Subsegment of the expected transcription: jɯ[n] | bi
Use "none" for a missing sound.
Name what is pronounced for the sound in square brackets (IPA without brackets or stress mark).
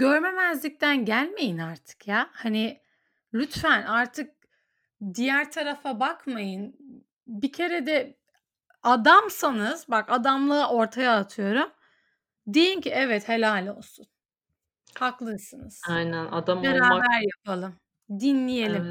n